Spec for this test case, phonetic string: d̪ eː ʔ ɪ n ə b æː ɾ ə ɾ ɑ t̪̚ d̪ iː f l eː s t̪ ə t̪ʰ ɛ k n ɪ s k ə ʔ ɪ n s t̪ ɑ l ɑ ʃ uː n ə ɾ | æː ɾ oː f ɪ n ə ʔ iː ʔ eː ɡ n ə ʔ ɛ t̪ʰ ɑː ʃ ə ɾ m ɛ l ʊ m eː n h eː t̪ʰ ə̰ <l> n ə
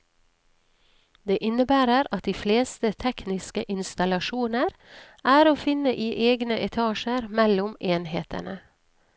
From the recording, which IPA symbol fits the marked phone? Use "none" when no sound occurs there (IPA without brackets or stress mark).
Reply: none